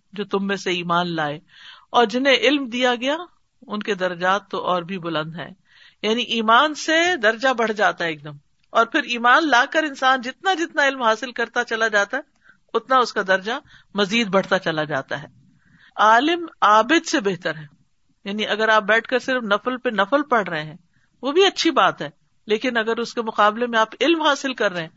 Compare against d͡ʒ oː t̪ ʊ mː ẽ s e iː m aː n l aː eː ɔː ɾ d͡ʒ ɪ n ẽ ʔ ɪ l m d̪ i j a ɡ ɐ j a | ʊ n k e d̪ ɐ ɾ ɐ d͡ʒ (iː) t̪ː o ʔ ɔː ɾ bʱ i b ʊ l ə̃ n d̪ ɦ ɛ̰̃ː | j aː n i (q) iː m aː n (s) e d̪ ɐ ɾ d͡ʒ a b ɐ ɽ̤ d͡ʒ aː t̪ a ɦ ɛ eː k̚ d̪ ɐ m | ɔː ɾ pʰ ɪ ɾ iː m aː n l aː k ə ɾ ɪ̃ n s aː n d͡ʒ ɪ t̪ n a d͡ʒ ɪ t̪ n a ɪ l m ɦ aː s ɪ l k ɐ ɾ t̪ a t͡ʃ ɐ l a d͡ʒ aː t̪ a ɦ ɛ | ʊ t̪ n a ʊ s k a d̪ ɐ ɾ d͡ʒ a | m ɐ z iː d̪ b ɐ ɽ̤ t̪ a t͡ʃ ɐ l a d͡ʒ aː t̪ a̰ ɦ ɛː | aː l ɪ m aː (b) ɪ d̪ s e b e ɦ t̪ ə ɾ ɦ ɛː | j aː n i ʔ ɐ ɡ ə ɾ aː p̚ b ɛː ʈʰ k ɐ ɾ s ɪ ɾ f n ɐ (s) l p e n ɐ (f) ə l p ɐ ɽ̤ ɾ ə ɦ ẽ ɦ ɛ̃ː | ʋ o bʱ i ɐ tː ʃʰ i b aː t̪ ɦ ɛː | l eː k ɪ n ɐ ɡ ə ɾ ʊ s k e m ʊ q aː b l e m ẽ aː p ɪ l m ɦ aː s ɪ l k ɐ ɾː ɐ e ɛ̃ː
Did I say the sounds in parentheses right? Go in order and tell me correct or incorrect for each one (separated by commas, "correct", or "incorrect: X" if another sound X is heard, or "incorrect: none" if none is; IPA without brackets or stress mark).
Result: incorrect: aː, incorrect: ʔ, correct, correct, incorrect: f, correct